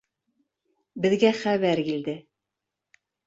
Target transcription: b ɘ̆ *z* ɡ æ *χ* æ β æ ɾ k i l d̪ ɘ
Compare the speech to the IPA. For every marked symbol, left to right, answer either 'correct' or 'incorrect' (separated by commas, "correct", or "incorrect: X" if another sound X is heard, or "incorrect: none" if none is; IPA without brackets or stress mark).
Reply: incorrect: ð, correct